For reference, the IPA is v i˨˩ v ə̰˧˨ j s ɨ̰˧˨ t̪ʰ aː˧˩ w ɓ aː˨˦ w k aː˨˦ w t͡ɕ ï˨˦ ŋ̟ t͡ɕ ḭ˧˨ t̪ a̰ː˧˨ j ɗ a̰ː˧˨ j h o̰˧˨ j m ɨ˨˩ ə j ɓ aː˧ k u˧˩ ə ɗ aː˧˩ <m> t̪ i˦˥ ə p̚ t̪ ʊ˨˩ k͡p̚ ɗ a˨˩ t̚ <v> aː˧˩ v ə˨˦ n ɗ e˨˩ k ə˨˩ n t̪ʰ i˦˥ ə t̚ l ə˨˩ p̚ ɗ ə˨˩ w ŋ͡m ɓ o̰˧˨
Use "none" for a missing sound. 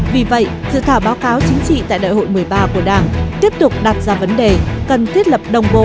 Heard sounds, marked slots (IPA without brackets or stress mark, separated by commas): ŋ, z